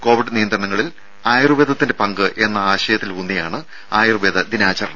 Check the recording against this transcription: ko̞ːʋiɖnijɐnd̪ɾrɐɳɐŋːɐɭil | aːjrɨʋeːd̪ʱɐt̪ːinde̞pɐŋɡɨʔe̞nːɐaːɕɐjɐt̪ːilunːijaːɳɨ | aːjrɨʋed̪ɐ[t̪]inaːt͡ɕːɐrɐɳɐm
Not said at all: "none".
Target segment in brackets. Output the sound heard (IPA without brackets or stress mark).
d̪